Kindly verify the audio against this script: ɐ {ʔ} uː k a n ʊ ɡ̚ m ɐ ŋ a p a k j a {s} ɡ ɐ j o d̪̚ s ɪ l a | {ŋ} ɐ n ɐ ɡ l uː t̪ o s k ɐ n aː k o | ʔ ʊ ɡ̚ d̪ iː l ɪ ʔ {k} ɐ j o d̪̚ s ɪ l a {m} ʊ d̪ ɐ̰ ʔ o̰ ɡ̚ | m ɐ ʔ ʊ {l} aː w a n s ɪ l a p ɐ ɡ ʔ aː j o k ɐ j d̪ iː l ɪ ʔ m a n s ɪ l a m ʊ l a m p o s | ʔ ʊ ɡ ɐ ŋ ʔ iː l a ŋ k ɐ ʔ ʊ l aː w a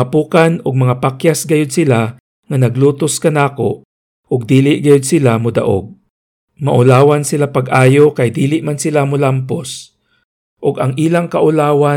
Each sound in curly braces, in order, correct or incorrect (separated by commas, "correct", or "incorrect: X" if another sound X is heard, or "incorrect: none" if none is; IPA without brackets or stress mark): incorrect: p, correct, correct, incorrect: ɡ, correct, correct